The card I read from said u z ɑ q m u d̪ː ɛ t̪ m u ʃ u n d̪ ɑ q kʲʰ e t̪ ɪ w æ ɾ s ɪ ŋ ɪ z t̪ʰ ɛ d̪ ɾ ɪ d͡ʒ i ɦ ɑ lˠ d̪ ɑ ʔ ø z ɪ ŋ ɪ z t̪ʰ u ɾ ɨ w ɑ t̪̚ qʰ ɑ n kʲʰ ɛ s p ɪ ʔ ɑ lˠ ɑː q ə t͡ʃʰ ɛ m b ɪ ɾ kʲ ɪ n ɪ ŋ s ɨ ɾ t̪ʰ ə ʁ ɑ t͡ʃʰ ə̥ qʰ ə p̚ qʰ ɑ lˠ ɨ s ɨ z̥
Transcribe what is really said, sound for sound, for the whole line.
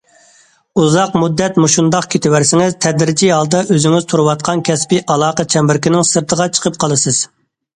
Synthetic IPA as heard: u z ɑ q m u d̪ː ɛ t̪ m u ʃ u n d̪ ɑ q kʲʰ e t̪ ɪ w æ ɾ s ɪ ŋ ɪ z t̪ʰ ɛ d̪ ɾ ɪ d͡ʒ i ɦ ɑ lˠ d̪ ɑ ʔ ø z ɪ ŋ ɪ z t̪ʰ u ɾ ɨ w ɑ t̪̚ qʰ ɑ n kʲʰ ɛ s p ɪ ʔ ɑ lˠ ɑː q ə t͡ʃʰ ɛ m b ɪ ɾ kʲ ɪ n ɪ ŋ s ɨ ɾ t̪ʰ ə ʁ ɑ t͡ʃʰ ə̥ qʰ ə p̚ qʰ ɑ lˠ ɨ s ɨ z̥